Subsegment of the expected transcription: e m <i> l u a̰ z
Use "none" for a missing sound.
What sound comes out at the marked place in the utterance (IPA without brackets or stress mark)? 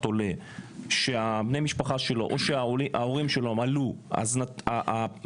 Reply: a